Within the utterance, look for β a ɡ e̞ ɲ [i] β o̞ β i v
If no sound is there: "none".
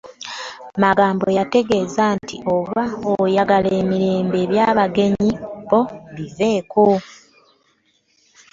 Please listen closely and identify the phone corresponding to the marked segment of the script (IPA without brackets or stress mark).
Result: i